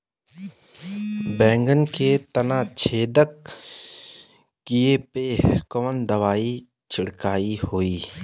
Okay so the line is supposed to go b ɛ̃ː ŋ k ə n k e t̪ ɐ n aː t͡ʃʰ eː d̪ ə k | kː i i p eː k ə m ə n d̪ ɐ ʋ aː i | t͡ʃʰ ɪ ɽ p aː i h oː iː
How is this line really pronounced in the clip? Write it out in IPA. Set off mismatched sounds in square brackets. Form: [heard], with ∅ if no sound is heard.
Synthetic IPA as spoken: b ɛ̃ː ŋ [ɡ] ə n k e t̪ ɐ n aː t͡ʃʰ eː d̪ ə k | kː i [e] p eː k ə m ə n d̪ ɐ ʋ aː i | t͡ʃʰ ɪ ɽ [k] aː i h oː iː